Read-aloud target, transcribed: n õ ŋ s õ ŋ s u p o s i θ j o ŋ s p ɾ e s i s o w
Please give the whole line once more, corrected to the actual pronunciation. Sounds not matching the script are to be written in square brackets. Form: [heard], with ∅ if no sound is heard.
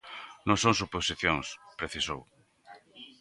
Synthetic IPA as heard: n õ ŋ s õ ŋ s u p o s i θ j o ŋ s p ɾ e [θ] i s o w

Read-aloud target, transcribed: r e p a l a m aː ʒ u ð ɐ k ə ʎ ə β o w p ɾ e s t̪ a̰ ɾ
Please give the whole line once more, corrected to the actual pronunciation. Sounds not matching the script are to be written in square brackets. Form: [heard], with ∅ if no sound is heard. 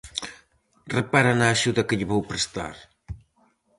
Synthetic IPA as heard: r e p a [ɾ] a [n] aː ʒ u ð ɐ k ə ʎ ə β o w p ɾ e s t̪ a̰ ɾ

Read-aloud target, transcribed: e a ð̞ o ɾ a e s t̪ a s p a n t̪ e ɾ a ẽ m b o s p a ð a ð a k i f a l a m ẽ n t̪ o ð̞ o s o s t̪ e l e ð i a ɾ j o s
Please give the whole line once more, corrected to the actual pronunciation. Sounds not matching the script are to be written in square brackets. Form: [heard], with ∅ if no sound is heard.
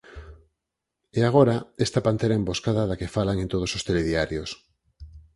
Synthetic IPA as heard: e a [ɣ̞] o ɾ a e s t̪ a [∅] p a n t̪ e ɾ a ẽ m b o s [k] a ð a ð a k [e] f a l a [ŋ] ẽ n t̪ o ð̞ o s o s t̪ e l e ð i a ɾ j o s

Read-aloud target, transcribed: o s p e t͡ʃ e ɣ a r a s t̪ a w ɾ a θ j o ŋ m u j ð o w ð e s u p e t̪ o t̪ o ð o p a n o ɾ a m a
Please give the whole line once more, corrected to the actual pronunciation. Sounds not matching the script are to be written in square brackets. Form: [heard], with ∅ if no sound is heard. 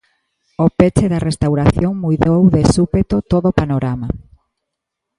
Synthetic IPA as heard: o [∅] p e t͡ʃ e [ð] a r [e] s t̪ a w ɾ a θ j o ŋ m u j ð o w ð e s u p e t̪ o t̪ o ð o p a n o ɾ a m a

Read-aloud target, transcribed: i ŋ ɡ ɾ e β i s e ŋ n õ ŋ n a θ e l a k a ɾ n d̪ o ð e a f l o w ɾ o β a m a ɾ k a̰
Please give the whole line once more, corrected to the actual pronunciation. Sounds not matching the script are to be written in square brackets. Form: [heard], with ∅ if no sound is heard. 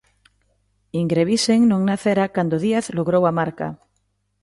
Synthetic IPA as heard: i ŋ ɡ ɾ e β i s e ŋ n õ ŋ n a θ e [ɾ] a k a [∅] n d̪ o ð [i] a [θ] l o [ɣ] ɾ o [w] a m a ɾ k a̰

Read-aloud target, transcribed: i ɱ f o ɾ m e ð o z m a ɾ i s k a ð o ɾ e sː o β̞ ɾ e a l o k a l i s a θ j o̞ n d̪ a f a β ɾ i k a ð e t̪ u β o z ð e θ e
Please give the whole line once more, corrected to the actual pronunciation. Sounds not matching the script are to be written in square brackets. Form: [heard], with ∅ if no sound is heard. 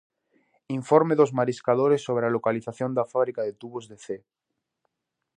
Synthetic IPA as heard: i ɱ f o ɾ m e ð o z m a ɾ i s k a ð o ɾ e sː o β̞ ɾ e a l o k a l i [θ] a θ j o̞ n d̪ a f a β ɾ i k a ð e t̪ u β o z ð e θ e

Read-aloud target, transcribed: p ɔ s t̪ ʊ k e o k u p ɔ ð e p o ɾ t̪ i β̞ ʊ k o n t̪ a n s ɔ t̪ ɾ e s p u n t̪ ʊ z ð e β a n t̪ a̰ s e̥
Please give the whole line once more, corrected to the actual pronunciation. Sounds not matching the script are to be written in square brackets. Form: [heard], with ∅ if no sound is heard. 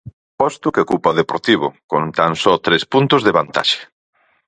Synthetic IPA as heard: p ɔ s t̪ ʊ k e o k u p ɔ ð e p o ɾ t̪ i β̞ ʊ k o n t̪ a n s ɔ t̪ ɾ e s p u n t̪ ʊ z ð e β a n t̪ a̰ [ʃ] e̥

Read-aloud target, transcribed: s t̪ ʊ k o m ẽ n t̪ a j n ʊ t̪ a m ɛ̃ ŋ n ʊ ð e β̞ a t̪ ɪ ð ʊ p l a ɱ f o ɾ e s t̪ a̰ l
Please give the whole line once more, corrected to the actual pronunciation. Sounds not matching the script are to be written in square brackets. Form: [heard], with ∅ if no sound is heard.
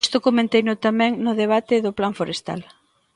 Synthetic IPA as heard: s t̪ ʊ k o m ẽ n t̪ [e] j n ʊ t̪ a m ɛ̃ ŋ n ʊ ð e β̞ a t̪ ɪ ð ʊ p l a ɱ f o ɾ e s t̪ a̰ l

